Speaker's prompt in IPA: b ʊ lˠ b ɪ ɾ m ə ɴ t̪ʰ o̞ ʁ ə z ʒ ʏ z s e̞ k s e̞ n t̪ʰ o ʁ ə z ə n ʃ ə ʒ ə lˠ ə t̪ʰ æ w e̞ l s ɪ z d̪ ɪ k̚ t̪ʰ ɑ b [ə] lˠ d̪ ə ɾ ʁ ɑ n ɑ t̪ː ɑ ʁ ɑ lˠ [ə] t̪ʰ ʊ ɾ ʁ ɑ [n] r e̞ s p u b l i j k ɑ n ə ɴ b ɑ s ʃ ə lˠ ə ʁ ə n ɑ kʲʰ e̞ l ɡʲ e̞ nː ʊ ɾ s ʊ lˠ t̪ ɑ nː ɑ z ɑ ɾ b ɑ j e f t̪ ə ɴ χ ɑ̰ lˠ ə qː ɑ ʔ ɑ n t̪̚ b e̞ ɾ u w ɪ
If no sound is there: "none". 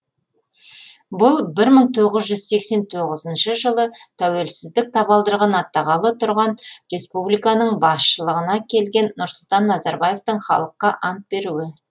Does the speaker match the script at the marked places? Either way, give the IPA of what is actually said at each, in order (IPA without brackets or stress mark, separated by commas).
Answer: ɑ, ə, n